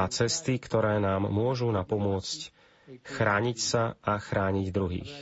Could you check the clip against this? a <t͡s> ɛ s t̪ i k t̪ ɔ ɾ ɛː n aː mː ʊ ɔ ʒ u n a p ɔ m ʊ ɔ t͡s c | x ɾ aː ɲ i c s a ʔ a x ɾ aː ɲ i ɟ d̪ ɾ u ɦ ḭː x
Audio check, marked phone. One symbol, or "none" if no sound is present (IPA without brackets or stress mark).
t͡s